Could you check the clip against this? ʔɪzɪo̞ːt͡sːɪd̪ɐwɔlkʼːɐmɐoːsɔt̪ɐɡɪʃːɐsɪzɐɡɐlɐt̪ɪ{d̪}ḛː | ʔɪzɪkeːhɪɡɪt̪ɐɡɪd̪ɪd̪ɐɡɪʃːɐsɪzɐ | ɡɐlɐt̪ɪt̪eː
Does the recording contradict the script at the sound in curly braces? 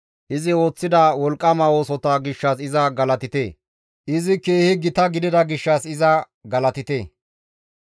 yes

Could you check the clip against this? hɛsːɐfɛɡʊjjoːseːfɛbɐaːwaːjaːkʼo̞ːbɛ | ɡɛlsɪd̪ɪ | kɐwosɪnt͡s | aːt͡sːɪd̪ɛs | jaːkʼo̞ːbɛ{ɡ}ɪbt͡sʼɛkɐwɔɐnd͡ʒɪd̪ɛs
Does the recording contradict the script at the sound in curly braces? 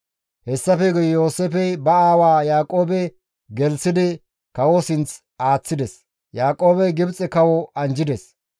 no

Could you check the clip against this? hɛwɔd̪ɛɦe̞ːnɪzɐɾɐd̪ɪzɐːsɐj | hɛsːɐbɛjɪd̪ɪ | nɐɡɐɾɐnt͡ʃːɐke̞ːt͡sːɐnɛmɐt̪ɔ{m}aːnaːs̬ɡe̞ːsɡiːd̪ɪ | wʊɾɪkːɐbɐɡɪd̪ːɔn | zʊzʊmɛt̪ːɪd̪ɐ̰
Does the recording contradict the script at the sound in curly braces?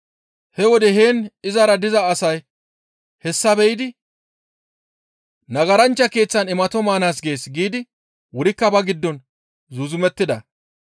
no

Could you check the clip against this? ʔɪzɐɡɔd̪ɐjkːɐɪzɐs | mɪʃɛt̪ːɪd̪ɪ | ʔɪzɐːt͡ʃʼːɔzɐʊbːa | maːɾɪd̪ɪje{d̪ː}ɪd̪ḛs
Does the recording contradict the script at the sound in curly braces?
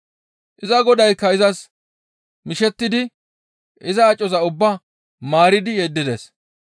no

